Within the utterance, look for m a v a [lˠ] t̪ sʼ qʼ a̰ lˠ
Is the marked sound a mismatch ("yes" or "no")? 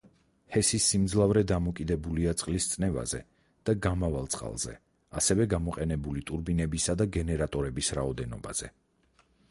no